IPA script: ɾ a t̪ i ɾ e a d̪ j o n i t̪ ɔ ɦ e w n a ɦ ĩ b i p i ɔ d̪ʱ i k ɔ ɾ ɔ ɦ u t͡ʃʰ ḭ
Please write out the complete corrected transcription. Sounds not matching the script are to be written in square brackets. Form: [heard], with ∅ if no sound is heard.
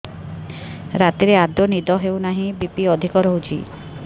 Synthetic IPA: ɾ a t̪ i ɾ e a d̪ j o n i [d̪] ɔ ɦ e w n a ɦ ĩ b i p i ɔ d̪ʱ i k ɔ ɾ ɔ ɦ u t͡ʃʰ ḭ

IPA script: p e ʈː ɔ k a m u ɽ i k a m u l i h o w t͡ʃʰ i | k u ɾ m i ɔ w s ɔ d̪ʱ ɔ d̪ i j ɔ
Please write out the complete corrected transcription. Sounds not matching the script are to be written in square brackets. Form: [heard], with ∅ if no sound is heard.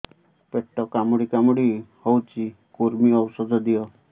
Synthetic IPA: p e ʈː ɔ k a m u ɽ i k a m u [ɽ] i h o w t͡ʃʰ i | k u ɾ m i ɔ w s ɔ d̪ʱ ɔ d̪ i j ɔ

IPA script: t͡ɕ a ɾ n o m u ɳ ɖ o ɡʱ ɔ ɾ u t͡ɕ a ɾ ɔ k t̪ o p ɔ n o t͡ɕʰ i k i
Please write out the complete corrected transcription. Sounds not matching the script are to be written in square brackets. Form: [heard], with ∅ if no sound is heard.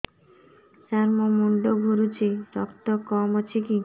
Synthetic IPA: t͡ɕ a ɾ [m] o m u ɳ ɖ o ɡʱ [u] ɾ u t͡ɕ [i] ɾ ɔ k t̪ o [k] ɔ [m] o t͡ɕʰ i k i

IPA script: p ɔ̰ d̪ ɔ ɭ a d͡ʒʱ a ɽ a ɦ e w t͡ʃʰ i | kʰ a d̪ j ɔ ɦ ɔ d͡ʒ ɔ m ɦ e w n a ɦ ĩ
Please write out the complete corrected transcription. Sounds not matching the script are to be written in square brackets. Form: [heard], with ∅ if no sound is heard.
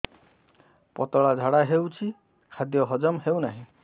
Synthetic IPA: p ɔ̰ [t̪] ɔ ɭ a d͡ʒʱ a ɽ a ɦ e w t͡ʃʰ i | kʰ a d̪ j ɔ ɦ ɔ d͡ʒ ɔ m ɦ e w n a ɦ ĩ

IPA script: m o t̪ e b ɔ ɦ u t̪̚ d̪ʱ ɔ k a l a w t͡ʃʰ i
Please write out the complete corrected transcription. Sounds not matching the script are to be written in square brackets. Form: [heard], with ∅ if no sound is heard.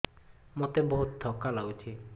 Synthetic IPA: m o t̪ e b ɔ ɦ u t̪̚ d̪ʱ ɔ k a l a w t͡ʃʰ i

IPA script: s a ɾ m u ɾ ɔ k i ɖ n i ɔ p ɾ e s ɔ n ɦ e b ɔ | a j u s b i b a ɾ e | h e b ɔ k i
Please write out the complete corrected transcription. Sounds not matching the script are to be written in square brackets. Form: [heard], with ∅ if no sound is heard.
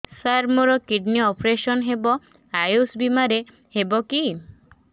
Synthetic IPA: s a ɾ m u ɾ ɔ k i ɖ n i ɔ p ɾ e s ɔ n ɦ e b ɔ | a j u s b i [m] a ɾ e | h e b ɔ k i

